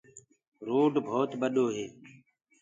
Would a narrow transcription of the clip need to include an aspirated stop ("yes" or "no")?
no